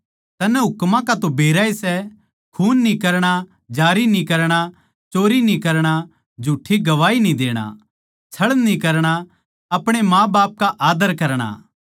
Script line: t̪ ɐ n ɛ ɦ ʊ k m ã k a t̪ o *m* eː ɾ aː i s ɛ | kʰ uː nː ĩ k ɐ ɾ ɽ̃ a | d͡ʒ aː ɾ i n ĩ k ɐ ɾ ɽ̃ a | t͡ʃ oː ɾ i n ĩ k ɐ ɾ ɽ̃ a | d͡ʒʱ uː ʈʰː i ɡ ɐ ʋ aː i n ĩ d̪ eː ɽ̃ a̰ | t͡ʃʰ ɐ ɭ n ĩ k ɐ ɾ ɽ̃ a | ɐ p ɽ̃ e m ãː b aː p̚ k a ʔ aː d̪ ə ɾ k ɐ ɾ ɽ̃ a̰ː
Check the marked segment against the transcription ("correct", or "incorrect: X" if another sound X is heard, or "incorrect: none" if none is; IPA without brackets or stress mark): incorrect: b